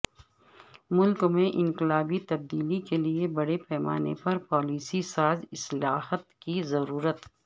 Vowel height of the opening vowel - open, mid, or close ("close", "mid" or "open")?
close